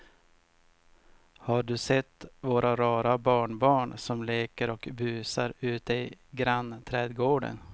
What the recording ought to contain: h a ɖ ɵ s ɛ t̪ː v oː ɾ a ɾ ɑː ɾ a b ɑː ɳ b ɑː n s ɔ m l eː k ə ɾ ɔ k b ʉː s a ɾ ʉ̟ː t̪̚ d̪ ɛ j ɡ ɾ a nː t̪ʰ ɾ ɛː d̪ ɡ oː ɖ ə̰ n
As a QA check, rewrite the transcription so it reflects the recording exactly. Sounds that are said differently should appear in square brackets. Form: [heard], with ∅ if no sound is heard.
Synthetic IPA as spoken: h a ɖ ɵ s ɛ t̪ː v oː ɾ a ɾ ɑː ɾ a b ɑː ɳ b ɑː [ɳ] s ɔ m l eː k ə ɾ ɔ k b ʉː s a ɾ ʉ̟ː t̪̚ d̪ ɛ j ɡ ɾ a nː t̪ʰ ɾ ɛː d̪ ɡ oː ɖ ə̰ n